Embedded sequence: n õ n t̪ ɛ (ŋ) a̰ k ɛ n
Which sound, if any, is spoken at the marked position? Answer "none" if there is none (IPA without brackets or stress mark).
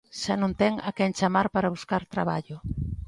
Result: ŋ